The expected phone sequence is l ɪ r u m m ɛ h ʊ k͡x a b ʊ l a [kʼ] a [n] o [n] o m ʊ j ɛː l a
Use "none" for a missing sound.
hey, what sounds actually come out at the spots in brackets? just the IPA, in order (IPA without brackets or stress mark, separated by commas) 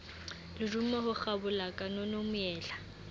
kʼ, n, n